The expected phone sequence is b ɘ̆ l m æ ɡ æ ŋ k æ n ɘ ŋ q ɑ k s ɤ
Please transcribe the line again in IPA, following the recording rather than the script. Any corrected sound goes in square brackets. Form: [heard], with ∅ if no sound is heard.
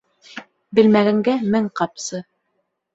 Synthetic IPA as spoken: b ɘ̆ l m æ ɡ æ ŋ [ɡ] æ [m] ɘ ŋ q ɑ [p] s ɤ